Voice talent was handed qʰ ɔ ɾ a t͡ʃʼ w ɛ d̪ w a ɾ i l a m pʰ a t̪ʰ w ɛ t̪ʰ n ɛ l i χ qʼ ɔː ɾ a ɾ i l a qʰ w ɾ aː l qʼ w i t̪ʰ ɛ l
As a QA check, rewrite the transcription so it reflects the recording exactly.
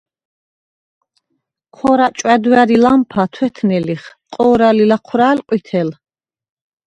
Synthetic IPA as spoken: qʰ ɔ ɾ a t͡ʃʼ w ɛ d̪ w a ɾ i l a m pʰ a t̪ʰ w ɛ t̪ʰ n ɛ l i χ qʼ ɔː ɾ a l i l a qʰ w ɾ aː l qʼ w i t̪ʰ ɛ l